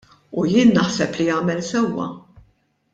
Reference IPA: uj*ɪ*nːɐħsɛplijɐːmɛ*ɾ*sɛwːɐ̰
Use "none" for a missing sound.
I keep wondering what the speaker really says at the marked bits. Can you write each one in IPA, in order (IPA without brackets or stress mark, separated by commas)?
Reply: ɪː, l